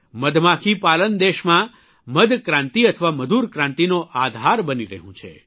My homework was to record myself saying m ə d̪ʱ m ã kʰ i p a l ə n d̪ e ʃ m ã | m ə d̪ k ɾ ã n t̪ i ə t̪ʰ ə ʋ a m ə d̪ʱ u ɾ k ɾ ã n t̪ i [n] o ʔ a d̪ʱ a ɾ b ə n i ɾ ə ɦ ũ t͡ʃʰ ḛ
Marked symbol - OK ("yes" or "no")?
yes